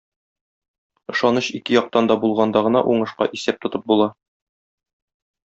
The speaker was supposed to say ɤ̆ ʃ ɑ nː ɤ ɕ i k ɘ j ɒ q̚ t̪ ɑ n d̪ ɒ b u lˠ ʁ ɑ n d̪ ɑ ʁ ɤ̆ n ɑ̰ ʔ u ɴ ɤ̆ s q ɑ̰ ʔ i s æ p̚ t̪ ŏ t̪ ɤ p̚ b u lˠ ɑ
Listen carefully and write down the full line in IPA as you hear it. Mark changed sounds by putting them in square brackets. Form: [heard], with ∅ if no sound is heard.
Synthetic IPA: ɤ̆ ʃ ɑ [n] ɤ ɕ i k ɘ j ɒ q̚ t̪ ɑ n d̪ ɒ b u lˠ ʁ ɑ n d̪ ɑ ʁ ɤ̆ n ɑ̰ ʔ u ɴ ɤ̆ [ʃ] q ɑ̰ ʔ i s æ p̚ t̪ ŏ t̪ ɤ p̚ b u lˠ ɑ